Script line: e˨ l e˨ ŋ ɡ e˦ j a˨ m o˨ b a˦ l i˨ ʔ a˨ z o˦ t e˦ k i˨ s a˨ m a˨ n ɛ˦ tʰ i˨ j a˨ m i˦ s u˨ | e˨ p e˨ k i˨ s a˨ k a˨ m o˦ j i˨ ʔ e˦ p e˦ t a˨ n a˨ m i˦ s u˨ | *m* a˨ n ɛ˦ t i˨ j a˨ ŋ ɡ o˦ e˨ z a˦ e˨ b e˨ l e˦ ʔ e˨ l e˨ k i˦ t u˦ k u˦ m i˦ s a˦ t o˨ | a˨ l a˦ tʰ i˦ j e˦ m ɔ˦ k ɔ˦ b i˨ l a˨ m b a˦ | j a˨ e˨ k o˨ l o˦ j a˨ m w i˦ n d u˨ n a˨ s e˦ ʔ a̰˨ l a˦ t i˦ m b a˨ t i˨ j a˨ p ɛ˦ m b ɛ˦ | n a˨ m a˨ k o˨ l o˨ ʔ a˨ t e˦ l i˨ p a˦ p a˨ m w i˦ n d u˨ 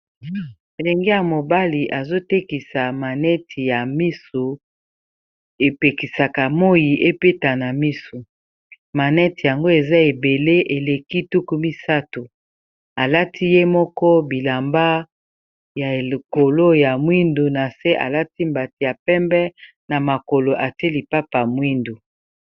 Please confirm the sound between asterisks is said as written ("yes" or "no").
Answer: yes